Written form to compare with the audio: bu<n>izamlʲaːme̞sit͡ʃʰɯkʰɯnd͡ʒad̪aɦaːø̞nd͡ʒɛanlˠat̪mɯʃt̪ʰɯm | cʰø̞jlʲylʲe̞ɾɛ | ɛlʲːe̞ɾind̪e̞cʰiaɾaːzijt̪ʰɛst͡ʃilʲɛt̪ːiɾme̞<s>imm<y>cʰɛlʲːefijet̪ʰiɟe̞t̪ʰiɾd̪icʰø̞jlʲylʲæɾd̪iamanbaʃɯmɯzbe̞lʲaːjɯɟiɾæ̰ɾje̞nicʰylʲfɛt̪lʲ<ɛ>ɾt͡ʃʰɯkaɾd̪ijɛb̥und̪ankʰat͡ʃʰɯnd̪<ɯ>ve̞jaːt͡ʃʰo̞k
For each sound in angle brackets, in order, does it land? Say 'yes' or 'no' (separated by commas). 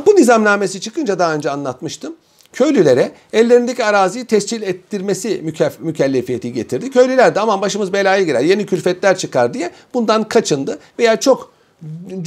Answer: yes, yes, yes, no, yes